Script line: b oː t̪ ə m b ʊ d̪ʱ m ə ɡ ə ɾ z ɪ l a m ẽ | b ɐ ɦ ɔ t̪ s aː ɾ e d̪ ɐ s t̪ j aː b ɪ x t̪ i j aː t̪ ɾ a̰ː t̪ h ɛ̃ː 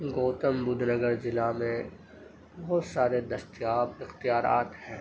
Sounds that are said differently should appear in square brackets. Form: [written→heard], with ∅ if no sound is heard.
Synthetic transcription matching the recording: [b→ɡ] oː t̪ ə m b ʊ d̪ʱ [m→n] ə ɡ ə ɾ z ɪ l a m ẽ | b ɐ ɦ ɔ t̪ s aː ɾ e d̪ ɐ s t̪ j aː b ɪ x t̪ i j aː [t̪→∅] ɾ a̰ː t̪ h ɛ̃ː